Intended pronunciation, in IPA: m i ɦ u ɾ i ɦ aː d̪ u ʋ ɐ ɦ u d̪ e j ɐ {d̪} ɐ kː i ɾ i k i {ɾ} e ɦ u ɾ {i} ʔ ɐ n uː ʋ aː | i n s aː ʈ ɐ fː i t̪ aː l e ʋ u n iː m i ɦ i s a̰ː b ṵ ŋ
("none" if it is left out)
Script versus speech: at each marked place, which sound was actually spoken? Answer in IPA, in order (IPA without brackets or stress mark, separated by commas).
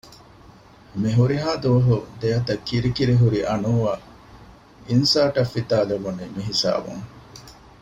t̪, ɾ, i